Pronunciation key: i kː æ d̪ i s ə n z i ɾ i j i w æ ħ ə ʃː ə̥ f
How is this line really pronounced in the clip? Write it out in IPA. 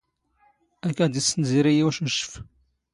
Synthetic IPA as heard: æ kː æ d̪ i s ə n z i ɾ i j i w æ ʃ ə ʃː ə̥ f